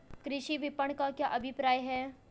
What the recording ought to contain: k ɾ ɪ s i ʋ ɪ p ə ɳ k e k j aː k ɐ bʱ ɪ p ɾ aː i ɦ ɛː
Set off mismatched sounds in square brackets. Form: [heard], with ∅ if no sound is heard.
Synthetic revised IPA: k ɾ ɪ [ʃ] i ʋ ɪ p ə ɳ k [a] k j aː [ʔ] ɐ bʱ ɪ p ɾ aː [j] ɦ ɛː